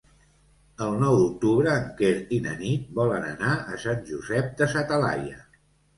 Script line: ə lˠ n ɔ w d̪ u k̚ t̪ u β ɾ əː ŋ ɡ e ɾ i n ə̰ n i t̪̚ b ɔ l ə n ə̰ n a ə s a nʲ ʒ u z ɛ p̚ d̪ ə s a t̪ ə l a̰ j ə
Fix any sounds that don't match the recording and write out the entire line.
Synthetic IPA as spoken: ə lˠ n ɔ w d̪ u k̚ t̪ u β ɾ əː ŋ k e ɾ i n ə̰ n i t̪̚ b ɔ l ə n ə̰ n a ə s a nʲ ʒ u z ɛ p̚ d̪ ə s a t̪ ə l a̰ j ə